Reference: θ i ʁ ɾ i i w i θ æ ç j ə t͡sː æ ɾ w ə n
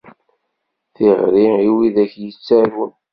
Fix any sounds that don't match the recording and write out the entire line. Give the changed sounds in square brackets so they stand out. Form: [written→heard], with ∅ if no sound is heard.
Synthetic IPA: θ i ʁ ɾ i i w i [θ→ð] æ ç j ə t͡sː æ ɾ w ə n